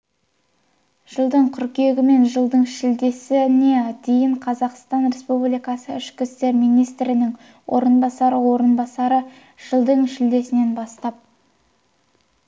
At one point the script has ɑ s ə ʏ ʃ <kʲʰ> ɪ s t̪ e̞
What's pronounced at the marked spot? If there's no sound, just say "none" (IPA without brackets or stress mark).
kʲ